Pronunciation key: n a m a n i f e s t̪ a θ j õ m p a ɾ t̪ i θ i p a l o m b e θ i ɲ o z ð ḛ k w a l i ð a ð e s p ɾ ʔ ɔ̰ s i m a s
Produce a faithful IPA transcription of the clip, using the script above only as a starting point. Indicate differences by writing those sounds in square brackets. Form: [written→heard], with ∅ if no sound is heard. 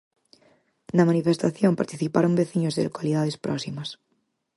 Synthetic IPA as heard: n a m a n i f e s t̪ a θ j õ m p a ɾ t̪ i θ i p a [l→ɾ] o m b e θ i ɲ o z ð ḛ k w a l i ð a ð e s p ɾ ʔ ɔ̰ s i m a s